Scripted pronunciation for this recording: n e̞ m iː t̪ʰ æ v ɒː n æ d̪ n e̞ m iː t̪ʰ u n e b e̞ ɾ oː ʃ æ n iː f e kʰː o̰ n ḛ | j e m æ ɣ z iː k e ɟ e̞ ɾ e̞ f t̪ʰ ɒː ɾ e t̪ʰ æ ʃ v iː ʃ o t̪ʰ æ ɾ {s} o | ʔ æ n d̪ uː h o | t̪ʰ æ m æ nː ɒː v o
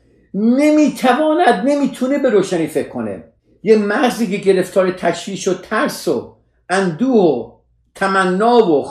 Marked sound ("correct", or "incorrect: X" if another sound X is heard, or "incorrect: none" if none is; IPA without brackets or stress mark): correct